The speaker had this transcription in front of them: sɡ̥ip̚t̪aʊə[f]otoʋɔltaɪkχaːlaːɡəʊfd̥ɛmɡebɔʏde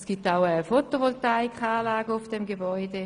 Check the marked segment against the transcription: correct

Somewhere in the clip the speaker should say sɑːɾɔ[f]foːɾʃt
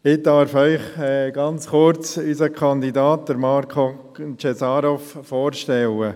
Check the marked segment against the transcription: correct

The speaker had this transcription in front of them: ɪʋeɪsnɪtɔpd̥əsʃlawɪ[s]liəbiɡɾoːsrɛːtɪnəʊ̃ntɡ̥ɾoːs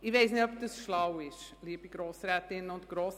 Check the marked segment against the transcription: incorrect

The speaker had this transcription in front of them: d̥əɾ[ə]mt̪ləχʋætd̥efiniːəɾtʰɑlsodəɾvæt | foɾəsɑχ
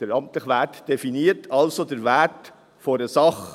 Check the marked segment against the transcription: incorrect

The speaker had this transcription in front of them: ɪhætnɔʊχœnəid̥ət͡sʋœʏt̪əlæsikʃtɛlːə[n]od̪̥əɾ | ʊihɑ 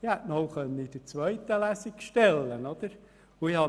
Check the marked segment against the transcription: correct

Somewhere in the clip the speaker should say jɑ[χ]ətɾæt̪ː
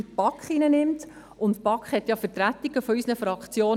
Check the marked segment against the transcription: incorrect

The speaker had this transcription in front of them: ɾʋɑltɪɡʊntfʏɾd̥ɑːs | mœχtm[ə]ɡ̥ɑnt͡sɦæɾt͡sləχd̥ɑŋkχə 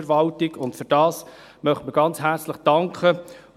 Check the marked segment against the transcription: correct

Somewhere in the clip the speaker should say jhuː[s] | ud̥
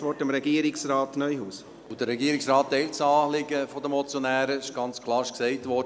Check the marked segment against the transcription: correct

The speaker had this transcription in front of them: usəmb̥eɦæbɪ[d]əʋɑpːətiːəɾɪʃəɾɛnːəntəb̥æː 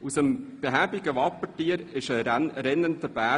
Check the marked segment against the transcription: incorrect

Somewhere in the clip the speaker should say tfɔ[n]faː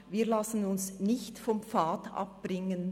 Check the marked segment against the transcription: incorrect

